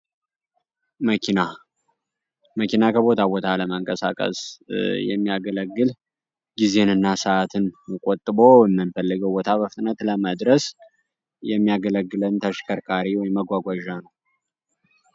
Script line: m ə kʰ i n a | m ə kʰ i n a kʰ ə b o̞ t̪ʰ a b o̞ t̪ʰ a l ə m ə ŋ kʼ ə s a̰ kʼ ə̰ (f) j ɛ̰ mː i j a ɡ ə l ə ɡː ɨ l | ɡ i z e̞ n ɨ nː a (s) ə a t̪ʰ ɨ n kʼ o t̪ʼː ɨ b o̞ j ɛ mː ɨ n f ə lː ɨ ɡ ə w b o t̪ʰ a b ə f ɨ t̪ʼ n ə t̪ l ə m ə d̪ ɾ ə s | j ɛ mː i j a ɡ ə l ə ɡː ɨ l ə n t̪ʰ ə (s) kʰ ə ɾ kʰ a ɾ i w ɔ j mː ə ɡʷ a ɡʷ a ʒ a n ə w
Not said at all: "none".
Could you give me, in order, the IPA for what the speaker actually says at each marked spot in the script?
s, s, ʃ

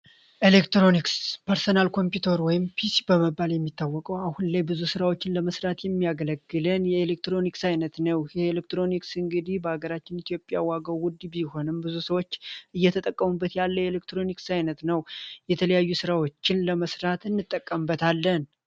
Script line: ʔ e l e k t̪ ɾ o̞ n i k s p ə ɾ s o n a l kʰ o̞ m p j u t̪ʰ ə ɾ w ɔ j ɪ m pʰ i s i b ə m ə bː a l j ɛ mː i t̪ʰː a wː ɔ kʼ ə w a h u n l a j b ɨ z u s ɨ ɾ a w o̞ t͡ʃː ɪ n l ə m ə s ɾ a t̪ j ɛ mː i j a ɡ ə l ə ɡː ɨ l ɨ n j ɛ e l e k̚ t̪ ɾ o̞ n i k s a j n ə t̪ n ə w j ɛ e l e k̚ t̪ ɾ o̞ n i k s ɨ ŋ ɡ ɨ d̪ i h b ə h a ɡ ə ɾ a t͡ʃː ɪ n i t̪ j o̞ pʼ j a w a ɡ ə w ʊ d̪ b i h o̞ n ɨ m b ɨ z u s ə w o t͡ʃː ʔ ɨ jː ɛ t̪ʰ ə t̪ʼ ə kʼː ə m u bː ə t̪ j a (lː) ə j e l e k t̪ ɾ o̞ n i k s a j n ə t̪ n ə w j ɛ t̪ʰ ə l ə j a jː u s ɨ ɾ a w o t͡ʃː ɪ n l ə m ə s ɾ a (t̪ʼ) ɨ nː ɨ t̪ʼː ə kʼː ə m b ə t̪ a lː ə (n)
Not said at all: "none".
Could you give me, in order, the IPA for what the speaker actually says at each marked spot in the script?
lː, t̪, n

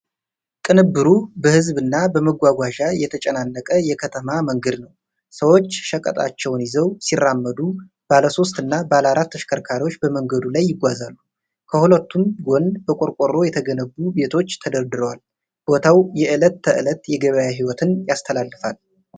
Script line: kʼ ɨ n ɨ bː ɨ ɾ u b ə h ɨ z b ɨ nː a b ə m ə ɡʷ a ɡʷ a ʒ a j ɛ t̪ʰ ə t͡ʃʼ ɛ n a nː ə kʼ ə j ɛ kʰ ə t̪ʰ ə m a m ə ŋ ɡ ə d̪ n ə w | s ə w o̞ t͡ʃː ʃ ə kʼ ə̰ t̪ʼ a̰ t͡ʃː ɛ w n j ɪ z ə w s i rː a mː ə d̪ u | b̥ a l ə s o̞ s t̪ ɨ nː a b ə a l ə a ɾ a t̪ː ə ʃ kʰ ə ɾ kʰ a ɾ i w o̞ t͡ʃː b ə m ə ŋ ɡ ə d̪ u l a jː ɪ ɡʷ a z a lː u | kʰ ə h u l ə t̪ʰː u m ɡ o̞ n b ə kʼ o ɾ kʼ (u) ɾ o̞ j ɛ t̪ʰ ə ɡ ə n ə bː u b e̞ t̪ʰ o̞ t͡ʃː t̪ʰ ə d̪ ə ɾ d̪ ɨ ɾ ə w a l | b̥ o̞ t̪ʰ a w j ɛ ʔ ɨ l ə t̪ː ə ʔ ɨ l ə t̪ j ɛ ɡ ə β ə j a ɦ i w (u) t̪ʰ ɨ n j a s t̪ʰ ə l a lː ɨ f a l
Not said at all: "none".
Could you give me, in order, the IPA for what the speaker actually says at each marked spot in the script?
o, ɔ

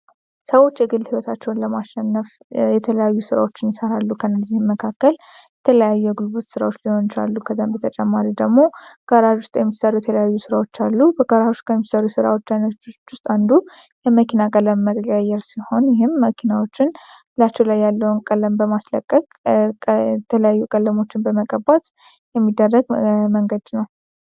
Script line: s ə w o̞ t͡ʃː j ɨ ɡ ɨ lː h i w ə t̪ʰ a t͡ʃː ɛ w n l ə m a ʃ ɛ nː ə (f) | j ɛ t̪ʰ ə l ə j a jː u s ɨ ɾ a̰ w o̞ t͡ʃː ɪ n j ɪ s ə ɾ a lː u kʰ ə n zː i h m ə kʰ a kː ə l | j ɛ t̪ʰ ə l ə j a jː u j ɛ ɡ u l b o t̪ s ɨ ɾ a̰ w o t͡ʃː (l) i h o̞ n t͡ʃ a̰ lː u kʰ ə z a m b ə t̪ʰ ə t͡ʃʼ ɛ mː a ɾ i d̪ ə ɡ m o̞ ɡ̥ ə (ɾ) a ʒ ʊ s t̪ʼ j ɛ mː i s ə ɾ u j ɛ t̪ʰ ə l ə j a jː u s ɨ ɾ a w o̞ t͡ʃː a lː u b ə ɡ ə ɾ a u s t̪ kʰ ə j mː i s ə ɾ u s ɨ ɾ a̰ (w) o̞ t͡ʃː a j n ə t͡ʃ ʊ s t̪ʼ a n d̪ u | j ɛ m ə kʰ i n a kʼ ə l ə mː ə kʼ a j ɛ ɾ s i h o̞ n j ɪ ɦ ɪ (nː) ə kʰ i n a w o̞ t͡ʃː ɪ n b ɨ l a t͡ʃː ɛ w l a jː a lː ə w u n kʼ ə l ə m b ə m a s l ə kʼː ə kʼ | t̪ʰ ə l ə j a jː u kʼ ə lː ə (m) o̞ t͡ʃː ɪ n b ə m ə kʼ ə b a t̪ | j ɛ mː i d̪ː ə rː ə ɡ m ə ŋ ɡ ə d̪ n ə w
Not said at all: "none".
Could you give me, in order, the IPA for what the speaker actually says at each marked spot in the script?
f, l, ɾ, w, mː, m

